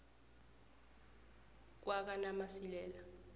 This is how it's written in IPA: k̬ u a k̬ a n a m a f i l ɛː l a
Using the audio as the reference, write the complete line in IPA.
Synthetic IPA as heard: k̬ w a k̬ a n a m a s i l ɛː l a